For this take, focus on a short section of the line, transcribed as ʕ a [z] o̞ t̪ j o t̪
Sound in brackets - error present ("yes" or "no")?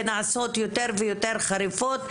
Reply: yes